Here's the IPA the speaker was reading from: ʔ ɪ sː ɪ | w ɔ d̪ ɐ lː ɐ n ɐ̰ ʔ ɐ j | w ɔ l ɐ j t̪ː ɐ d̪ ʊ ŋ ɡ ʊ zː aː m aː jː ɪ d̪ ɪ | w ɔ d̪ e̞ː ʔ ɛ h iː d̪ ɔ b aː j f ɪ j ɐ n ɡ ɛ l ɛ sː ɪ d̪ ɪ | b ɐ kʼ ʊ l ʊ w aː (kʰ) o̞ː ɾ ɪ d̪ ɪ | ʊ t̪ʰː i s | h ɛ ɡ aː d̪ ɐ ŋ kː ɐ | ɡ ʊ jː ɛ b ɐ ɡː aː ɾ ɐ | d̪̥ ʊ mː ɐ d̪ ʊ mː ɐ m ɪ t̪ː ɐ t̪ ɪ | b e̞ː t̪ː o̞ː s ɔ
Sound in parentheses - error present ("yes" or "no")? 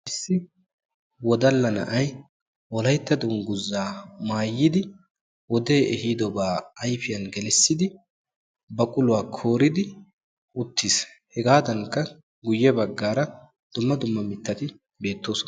no